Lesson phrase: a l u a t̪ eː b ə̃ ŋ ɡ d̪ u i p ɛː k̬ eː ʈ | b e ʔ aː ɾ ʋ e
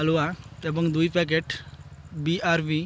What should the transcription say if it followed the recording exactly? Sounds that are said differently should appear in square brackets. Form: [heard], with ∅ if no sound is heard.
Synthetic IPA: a l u a t̪ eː b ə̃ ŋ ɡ d̪ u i p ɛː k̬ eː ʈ | b [i] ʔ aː ɾ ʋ [i]

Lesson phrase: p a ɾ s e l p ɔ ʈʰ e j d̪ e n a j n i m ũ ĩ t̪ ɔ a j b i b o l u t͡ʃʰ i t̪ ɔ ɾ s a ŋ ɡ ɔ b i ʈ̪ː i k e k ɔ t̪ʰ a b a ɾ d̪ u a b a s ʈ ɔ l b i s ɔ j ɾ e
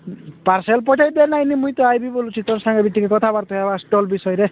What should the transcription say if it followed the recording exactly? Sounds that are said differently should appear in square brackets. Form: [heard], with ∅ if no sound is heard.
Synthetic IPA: p a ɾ s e l p ɔ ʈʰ [a] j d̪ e n a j n i m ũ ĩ t̪ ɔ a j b i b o l u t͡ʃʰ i t̪ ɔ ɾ s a ŋ ɡ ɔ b i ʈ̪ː i k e k ɔ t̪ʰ a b a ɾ [t̪] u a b a s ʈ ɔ l b i s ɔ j ɾ e

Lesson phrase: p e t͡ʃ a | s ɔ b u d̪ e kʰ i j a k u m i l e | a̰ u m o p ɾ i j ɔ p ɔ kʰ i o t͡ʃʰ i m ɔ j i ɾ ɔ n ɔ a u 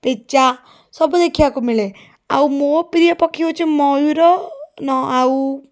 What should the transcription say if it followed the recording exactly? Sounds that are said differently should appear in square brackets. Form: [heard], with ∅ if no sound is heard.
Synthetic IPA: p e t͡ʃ a | s ɔ b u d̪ e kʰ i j a k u m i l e | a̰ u m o p ɾ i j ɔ p ɔ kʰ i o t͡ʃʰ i m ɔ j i ɾ ɔ n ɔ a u

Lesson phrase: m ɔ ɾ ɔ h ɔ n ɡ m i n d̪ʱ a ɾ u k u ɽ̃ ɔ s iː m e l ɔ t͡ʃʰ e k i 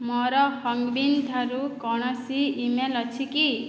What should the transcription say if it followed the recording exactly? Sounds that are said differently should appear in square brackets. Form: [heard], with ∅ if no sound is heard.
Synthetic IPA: m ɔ ɾ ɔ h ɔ [ŋ] ɡ [b] i n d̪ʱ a ɾ u k [ɔ] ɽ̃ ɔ s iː m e l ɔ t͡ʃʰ [i] k i

